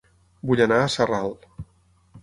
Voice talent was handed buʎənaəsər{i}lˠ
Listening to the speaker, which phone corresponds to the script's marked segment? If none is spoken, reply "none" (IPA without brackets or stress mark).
a